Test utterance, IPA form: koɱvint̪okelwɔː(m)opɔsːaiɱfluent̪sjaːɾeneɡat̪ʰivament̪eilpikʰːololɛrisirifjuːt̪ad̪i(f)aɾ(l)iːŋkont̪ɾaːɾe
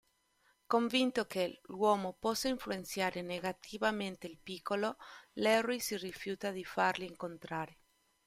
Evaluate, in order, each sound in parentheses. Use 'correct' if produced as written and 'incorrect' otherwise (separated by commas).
correct, correct, correct